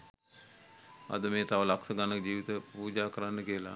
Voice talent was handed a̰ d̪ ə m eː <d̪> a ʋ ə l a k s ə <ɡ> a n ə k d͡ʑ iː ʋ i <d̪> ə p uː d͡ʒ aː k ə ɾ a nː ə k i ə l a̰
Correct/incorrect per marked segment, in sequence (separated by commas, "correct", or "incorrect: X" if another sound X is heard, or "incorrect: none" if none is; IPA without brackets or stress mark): incorrect: t̪, correct, incorrect: t̪